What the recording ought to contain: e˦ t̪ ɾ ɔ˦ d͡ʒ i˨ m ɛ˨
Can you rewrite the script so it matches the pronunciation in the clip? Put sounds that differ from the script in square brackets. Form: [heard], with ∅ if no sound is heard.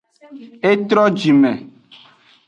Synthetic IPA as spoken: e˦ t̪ ɾ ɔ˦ d͡ʒ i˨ m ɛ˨